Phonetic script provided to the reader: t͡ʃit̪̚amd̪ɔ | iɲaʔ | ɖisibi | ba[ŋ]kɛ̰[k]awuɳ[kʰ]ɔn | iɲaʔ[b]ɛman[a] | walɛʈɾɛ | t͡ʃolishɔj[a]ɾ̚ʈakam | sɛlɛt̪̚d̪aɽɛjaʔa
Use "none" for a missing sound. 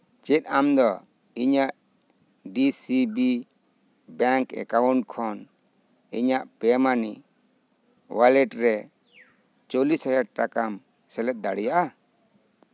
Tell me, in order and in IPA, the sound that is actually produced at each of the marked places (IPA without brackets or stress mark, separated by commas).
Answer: ŋ, k, kʰ, p, i, a